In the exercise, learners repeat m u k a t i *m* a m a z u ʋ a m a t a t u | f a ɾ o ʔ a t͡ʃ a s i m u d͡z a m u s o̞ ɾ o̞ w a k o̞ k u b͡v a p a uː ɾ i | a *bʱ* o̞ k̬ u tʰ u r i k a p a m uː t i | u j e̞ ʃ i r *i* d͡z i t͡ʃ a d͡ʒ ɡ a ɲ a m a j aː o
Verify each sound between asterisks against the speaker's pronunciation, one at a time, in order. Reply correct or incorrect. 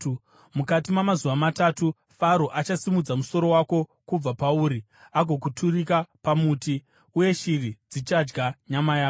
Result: correct, incorrect, correct

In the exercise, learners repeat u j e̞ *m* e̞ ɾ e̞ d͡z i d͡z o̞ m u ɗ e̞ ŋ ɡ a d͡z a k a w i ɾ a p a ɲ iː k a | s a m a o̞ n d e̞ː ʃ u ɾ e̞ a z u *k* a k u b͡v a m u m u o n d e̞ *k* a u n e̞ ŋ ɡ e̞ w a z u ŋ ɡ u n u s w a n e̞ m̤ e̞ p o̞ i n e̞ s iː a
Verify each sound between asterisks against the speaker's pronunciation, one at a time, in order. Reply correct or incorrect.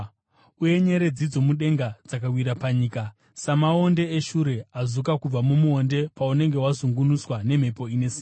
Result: incorrect, correct, incorrect

